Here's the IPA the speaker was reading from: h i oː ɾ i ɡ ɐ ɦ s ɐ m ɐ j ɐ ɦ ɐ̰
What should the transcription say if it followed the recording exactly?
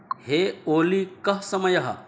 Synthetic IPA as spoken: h e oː l i k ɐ ɦ s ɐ m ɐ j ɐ ɦ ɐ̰

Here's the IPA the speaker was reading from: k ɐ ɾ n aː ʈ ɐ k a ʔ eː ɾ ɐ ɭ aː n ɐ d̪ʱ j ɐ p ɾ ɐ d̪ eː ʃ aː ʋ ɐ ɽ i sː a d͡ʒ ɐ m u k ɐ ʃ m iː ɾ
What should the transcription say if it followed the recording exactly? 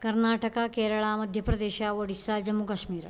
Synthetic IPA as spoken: k ɐ ɾ n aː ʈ ɐ k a k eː ɾ ɐ ɭ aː m ɐ d̪ʱ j ɐ p ɾ ɐ d̪ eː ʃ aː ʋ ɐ ɽ i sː a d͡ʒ ɐ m u k ɐ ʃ m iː ɾ

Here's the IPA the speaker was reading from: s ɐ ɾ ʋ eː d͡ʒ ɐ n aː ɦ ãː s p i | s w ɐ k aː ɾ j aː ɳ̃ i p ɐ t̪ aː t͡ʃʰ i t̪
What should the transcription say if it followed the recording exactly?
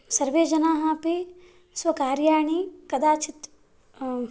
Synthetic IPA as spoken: s ɐ ɾ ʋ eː d͡ʒ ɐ n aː ɦ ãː p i | s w ɐ k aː ɾ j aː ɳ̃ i k ɐ d̪ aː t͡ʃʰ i t̪

